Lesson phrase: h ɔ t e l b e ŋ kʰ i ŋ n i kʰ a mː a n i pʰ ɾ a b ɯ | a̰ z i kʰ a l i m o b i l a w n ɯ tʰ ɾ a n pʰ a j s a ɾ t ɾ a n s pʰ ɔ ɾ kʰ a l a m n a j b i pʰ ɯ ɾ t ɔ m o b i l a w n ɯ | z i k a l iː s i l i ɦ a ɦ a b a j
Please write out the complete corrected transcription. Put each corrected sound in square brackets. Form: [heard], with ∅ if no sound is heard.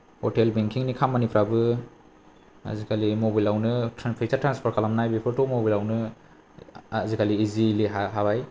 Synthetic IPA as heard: h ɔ t e l b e ŋ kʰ i ŋ n i kʰ a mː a n i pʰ ɾ a b ɯ | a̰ z i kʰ a l i m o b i l a w n ɯ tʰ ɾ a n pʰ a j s a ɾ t ɾ a n s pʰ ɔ ɾ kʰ a l a m n a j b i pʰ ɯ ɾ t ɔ m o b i l a w n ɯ | z i k a l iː [z] i l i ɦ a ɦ a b a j